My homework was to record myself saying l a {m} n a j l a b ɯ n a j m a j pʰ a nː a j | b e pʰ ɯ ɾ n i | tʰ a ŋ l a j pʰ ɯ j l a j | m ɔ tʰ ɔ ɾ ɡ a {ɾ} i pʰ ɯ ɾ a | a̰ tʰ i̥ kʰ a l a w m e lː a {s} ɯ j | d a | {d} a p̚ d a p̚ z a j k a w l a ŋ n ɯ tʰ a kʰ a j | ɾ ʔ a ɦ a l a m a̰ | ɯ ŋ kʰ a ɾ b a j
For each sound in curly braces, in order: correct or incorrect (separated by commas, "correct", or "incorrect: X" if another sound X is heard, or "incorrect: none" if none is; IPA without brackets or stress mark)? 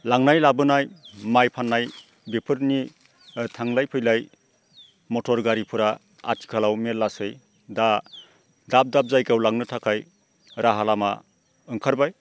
incorrect: ŋ, correct, correct, correct